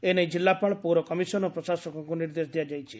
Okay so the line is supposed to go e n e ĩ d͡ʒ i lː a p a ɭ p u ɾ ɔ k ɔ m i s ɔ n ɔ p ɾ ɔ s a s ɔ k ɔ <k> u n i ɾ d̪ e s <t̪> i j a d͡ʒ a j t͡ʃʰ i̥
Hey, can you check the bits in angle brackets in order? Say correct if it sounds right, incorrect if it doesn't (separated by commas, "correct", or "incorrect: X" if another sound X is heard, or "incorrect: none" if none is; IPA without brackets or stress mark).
correct, incorrect: d̪